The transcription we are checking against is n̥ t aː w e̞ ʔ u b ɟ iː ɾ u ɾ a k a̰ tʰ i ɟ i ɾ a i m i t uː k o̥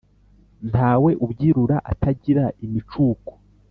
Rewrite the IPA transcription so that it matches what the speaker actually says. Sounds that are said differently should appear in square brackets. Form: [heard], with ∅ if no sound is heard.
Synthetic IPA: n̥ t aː w e̞ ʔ u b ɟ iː ɾ u ɾ a [ʔ] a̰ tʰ [a] ɟ i ɾ a i m i [t͡ʃ] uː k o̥